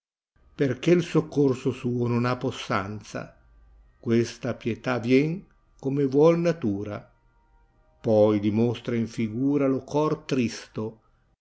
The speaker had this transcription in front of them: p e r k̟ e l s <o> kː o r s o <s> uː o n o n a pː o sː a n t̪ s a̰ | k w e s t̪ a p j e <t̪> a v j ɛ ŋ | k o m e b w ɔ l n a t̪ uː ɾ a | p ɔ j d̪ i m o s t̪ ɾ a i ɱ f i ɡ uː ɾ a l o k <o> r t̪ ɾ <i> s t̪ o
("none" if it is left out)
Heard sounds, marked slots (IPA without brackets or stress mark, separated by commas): o, s, t̪, ɔ, i